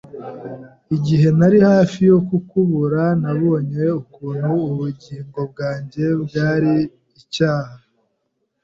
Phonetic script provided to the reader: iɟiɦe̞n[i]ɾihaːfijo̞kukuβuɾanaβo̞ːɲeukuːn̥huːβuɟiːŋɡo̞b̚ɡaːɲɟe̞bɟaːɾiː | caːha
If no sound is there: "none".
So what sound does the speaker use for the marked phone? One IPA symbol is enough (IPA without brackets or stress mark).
a